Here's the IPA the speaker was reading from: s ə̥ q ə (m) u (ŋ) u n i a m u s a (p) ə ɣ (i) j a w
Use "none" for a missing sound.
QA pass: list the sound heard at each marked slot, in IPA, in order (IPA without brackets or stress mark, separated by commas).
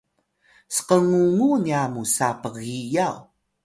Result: ŋ, ŋ, p, i